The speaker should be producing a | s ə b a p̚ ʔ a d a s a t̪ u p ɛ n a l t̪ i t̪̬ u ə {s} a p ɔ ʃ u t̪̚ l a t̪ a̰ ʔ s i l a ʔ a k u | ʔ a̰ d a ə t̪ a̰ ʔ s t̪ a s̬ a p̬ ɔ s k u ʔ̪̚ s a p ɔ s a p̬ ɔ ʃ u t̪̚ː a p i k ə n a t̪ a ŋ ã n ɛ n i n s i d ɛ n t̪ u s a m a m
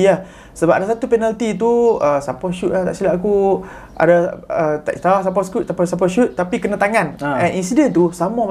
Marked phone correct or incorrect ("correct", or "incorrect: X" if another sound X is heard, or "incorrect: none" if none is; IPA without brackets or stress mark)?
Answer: correct